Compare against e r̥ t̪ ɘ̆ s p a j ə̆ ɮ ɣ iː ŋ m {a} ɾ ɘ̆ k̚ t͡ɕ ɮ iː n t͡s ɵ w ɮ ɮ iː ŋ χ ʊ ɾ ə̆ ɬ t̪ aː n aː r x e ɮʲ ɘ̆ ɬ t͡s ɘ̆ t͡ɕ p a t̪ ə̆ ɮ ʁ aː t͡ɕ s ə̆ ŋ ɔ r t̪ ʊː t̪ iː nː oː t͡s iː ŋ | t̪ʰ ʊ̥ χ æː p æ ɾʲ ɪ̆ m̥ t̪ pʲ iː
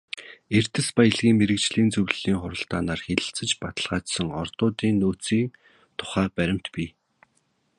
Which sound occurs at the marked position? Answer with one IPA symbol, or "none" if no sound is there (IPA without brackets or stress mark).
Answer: e